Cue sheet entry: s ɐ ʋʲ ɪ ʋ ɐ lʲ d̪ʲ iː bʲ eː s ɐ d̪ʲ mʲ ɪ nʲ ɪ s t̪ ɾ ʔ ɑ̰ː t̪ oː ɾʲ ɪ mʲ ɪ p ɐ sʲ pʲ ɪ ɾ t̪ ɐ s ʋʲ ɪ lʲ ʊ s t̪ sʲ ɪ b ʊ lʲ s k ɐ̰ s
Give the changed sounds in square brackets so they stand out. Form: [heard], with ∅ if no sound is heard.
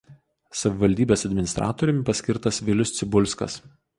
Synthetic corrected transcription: s ɐ ʋʲ ɪ ʋ ɐ lʲ d̪ʲ iː bʲ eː s ɐ d̪ʲ mʲ ɪ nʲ ɪ s t̪ ɾ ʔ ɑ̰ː t̪ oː ɾʲ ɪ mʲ ɪ p ɐ sʲ [kʲ] ɪ ɾ t̪ ɐ s ʋʲ ɪ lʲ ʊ s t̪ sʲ ɪ b ʊ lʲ s k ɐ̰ s